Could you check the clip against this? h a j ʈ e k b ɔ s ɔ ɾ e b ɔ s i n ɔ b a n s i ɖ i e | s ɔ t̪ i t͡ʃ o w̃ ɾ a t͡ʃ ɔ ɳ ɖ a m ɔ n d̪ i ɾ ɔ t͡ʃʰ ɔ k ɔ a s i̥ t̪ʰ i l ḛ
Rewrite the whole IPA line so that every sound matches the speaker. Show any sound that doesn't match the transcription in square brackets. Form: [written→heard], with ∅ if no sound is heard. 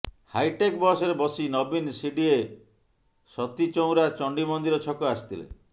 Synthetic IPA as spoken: h a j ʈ e k b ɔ s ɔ ɾ e b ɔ s i n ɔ b [a→i] n s i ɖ i e | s ɔ t̪ i t͡ʃ o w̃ ɾ a t͡ʃ ɔ ɳ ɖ [a→i] m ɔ n d̪ i ɾ ɔ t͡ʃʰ ɔ k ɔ a s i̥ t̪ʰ i l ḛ

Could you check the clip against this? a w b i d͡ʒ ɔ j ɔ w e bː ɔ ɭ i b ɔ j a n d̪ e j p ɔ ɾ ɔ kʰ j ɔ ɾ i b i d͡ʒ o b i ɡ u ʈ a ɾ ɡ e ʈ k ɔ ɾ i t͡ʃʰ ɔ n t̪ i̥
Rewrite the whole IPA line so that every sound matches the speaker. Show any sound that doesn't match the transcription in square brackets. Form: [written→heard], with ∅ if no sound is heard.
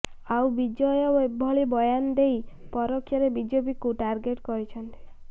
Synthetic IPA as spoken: a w b i d͡ʒ ɔ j ɔ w e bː ɔ ɭ i b ɔ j a n d̪ e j p ɔ ɾ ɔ kʰ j ɔ ɾ [i→e] b i d͡ʒ o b i [ɡ→k] u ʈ a ɾ ɡ e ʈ k ɔ ɾ i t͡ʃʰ ɔ n t̪ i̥

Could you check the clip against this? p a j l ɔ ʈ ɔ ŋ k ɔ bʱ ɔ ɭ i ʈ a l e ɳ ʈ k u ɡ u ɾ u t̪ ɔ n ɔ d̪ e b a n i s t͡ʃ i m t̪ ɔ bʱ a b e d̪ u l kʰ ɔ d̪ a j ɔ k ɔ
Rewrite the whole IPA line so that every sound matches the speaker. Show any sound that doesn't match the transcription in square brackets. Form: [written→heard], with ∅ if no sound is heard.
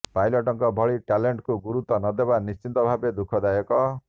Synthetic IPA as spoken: p a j l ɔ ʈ ɔ ŋ k ɔ bʱ ɔ ɭ i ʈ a l e ɳ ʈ k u ɡ u ɾ u t̪ ɔ n ɔ d̪ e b a n i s t͡ʃ i [m→n] t̪ ɔ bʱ a b e d̪ u [l→∅] kʰ ɔ d̪ a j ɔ k ɔ

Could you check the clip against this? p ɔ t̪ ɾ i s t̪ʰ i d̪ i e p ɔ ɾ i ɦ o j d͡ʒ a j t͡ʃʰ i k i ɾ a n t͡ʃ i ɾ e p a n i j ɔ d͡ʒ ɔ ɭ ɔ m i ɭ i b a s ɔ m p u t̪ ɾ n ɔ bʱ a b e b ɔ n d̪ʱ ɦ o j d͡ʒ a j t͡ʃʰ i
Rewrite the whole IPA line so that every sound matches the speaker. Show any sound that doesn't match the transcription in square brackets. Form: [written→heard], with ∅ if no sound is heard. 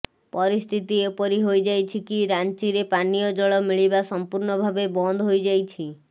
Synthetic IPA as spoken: p ɔ [t̪→∅] ɾ i s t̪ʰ i [d̪→t̪] i e p ɔ ɾ i ɦ o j d͡ʒ a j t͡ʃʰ i k i ɾ a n t͡ʃ i ɾ e p a n i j ɔ d͡ʒ ɔ ɭ ɔ m i ɭ i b a s ɔ m p u [t̪→∅] ɾ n ɔ bʱ a b e b ɔ n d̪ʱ ɦ o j d͡ʒ a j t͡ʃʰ i

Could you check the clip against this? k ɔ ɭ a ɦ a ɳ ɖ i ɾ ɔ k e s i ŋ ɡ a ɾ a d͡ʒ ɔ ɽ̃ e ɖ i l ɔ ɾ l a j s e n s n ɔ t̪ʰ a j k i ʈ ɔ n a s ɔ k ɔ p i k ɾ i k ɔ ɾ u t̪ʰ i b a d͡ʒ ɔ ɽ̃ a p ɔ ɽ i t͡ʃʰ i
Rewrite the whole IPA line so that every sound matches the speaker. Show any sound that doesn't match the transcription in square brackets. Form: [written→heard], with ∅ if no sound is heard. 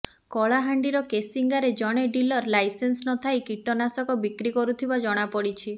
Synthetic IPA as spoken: k ɔ ɭ a ɦ a ɳ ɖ i ɾ ɔ k e s i ŋ ɡ a ɾ [a→e] d͡ʒ ɔ ɽ̃ e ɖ i l ɔ ɾ l a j s e n s n ɔ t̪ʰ a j k i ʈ ɔ n a s ɔ k ɔ [p→b] i k ɾ i k ɔ ɾ u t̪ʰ i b a d͡ʒ ɔ ɽ̃ a p ɔ ɽ i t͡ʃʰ i

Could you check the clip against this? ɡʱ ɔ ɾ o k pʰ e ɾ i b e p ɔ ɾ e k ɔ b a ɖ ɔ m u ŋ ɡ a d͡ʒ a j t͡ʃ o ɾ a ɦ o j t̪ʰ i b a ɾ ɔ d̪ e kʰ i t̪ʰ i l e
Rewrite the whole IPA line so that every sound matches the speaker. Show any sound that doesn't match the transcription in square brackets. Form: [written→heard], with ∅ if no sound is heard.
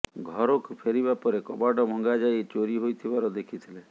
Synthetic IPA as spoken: ɡʱ ɔ ɾ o k pʰ e ɾ i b [e→a] p ɔ ɾ e k ɔ b a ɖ ɔ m [u→ɔ] ŋ ɡ a d͡ʒ a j t͡ʃ o ɾ [a→i] ɦ o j t̪ʰ i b a ɾ ɔ d̪ e kʰ i t̪ʰ i l e

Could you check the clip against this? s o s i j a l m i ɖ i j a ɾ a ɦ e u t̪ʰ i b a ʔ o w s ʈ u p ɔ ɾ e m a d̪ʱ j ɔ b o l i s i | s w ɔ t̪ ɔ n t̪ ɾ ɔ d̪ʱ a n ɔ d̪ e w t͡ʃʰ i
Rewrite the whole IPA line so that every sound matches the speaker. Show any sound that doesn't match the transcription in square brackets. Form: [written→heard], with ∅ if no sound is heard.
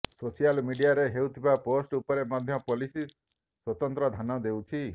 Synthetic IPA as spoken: s o s i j a l m i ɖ i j a ɾ [a→e] ɦ e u t̪ʰ i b a [ʔ→p] o [w→∅] s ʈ u p ɔ ɾ e m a d̪ʱ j ɔ [b→p] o l i s i | s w ɔ t̪ ɔ n t̪ ɾ ɔ d̪ʱ a n ɔ d̪ e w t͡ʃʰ i

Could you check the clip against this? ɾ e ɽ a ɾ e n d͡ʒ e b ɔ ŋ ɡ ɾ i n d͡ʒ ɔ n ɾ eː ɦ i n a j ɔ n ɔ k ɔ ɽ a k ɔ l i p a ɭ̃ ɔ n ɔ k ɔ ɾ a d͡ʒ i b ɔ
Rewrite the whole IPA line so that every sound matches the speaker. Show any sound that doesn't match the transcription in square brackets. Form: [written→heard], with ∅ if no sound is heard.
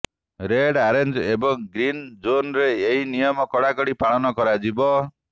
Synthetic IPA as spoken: ɾ e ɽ a ɾ e n d͡ʒ e b ɔ ŋ ɡ ɾ i n d͡ʒ [ɔ→o] n ɾ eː ɦ i n [a→i] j ɔ [n→m] ɔ k ɔ ɽ a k ɔ [l→ɽ] i p a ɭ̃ ɔ n ɔ k ɔ ɾ a d͡ʒ i b ɔ

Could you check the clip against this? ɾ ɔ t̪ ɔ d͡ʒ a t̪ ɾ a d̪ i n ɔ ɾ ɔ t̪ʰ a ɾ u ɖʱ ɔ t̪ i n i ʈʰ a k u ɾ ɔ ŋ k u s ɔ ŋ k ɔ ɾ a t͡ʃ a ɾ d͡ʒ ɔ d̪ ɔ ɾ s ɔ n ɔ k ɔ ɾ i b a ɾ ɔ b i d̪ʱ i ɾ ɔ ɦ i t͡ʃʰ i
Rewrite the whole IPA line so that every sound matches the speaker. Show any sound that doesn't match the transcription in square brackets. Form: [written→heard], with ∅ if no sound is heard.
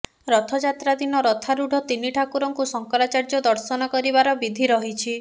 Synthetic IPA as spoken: ɾ ɔ [t̪→t̪ʰ] ɔ d͡ʒ a t̪ ɾ a d̪ i n ɔ ɾ ɔ t̪ʰ a ɾ u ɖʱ ɔ t̪ i n i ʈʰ a k u ɾ ɔ ŋ k u s ɔ ŋ k ɔ ɾ a t͡ʃ a ɾ d͡ʒ ɔ d̪ ɔ ɾ s ɔ n ɔ k ɔ ɾ i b a ɾ ɔ b i d̪ʱ i ɾ ɔ ɦ i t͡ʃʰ i

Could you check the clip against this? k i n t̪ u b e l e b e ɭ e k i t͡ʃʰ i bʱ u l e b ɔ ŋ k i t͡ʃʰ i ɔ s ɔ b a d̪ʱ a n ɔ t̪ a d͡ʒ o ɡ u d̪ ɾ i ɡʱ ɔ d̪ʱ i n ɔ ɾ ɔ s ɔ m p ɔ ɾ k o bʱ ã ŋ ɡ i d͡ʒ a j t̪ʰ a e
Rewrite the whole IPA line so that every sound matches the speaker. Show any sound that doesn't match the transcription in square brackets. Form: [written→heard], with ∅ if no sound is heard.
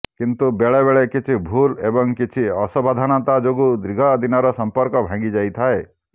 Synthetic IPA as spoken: k i n t̪ u b e [l→ɭ] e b e ɭ e k i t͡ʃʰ i bʱ u l e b ɔ ŋ k i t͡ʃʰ i ɔ s ɔ b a d̪ʱ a n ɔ t̪ a d͡ʒ o ɡ u d̪ ɾ i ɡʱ ɔ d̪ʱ i n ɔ ɾ ɔ s ɔ m p ɔ ɾ k [o→ɔ] bʱ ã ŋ ɡ i d͡ʒ a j t̪ʰ a e

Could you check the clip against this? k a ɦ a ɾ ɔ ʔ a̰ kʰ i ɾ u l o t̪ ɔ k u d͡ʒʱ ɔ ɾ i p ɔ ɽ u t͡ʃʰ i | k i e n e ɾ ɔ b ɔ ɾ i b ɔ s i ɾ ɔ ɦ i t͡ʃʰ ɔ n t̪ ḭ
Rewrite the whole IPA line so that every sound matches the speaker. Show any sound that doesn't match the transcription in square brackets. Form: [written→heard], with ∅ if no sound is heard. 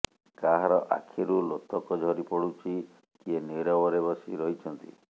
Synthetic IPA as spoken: k a ɦ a ɾ ɔ ʔ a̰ kʰ i ɾ u l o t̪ ɔ k [u→ɔ] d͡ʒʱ ɔ ɾ i p ɔ ɽ u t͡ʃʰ i | k i e n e ɾ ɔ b ɔ ɾ [i→e] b ɔ s i ɾ ɔ ɦ i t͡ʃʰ ɔ n t̪ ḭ

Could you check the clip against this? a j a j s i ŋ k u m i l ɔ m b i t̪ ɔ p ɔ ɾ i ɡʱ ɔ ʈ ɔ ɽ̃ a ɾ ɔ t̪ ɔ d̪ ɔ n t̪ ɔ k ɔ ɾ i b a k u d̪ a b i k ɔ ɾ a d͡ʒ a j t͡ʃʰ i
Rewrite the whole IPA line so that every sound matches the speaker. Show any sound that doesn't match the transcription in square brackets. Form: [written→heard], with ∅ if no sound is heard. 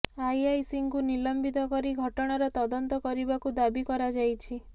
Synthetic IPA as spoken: a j a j s i ŋ k u [m→n] i l ɔ m b i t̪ ɔ [p→k] ɔ ɾ i ɡʱ ɔ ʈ ɔ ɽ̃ a ɾ ɔ t̪ ɔ d̪ ɔ n t̪ ɔ k ɔ ɾ i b a k u d̪ a b i k ɔ ɾ a d͡ʒ a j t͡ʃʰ i

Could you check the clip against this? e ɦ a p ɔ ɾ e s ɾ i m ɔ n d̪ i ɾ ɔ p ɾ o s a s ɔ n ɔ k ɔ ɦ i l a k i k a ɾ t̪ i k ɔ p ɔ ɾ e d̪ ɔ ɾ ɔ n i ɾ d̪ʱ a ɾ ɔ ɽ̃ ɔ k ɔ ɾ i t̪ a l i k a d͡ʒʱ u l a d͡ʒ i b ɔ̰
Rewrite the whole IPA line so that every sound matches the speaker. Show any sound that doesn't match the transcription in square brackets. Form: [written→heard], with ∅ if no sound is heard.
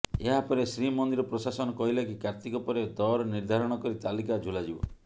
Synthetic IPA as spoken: e ɦ a p ɔ ɾ e s ɾ i m ɔ n d̪ i ɾ ɔ p ɾ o s a s ɔ n ɔ k ɔ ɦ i l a k i k a ɾ t̪ i k ɔ p ɔ ɾ e d̪ ɔ ɾ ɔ n i ɾ d̪ʱ a ɾ ɔ ɽ̃ ɔ k ɔ ɾ i t̪ a l i k a d͡ʒʱ u l a d͡ʒ i b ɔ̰

